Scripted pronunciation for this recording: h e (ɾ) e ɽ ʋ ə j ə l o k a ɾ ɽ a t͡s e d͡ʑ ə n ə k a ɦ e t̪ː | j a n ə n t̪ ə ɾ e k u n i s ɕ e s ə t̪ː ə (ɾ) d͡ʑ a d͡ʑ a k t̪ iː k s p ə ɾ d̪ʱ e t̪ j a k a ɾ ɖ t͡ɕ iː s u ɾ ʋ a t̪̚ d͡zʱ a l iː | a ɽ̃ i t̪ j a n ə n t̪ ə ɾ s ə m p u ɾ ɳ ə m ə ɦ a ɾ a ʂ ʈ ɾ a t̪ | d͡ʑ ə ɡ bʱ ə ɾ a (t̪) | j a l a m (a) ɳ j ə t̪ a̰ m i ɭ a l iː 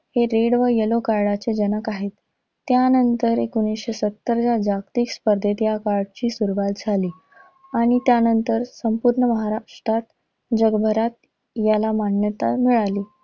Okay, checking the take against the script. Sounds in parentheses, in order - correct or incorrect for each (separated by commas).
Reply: correct, correct, correct, correct